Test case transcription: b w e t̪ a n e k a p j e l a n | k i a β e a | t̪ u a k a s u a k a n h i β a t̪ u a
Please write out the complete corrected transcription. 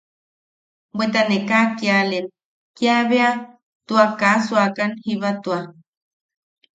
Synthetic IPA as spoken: b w e t̪ a n e k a k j a l e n | k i a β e a | t̪ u a k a s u a k a n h i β a t̪ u a